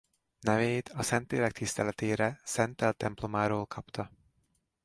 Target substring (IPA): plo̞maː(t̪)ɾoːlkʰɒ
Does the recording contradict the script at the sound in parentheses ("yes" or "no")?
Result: yes